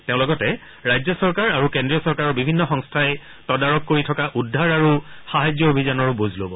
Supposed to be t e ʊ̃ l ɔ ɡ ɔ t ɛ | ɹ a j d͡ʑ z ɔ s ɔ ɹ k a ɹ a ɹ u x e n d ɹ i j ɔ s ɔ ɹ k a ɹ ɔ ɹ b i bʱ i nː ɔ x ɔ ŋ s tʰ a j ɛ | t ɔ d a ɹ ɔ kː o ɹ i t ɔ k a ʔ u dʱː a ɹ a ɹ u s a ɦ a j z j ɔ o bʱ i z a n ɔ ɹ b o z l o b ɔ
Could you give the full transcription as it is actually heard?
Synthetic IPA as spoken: t e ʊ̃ l ɔ ɡ ɔ t ɛ | ɹ a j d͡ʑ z ɔ s ɔ ɹ k a ɹ a ɹ u k e n d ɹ i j ɔ s ɔ ɹ k a ɹ ɔ ɹ b i bʱ i nː ɔ x ɔ ŋ s tʰ a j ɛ | t ɔ d a ɹ ɔ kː o ɹ i tʰ ɔ k a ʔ u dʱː a ɹ a ɹ u x a ɦ a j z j ɔ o bʱ i z a n ɔ ɹ b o z l o b ɔ